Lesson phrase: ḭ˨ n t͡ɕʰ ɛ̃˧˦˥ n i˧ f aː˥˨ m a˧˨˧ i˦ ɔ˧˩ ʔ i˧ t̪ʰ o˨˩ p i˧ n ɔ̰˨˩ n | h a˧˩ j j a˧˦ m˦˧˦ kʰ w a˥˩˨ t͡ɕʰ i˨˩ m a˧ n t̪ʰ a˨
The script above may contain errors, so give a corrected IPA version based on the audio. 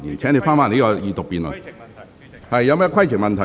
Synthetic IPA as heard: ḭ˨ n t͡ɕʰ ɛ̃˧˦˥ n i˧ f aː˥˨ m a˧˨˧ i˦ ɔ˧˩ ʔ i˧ t̪ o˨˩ p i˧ n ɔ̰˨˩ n | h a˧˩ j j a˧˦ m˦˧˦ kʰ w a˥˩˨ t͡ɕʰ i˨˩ m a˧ n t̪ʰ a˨